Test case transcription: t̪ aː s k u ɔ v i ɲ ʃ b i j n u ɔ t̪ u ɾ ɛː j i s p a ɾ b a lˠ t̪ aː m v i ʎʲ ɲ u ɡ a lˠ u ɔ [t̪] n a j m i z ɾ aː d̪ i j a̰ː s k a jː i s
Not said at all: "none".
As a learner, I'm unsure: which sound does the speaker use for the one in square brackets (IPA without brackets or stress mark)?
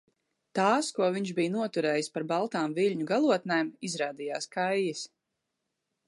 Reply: t̪